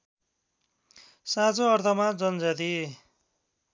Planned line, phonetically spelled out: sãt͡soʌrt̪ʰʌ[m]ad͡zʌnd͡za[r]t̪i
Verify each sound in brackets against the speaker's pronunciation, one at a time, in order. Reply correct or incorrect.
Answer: correct, incorrect: none

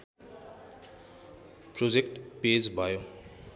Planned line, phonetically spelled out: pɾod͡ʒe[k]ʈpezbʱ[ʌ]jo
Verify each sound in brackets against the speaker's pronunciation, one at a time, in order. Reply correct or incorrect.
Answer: correct, incorrect: a

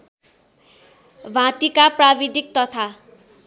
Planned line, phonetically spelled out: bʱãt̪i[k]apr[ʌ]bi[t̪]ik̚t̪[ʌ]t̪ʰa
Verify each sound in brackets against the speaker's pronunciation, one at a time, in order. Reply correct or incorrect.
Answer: correct, incorrect: a, incorrect: d̪, correct

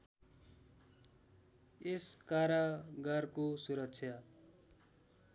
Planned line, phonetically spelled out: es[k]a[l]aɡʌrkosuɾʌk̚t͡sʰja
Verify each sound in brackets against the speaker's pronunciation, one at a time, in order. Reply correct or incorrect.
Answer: correct, incorrect: ɾ

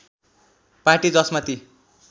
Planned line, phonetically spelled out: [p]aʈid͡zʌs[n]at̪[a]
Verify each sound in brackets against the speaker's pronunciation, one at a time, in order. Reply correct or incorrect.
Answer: correct, incorrect: m, incorrect: i

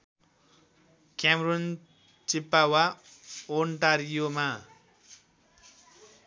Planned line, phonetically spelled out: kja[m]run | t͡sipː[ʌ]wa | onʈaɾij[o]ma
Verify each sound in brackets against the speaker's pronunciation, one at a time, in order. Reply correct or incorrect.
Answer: correct, incorrect: a, correct

